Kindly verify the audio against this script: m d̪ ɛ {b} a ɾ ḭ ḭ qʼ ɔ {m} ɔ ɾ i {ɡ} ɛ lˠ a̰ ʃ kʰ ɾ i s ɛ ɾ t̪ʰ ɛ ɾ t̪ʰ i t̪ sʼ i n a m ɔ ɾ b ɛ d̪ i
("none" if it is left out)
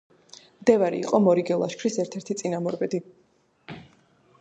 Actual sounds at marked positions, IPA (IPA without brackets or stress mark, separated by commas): v, m, ɡ